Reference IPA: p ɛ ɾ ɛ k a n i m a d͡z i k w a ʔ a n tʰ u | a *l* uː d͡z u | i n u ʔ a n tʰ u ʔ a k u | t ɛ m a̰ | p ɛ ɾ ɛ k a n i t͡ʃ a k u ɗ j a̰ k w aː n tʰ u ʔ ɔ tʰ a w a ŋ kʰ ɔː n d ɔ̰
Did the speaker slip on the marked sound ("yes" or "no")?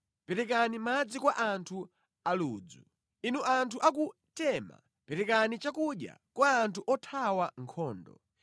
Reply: no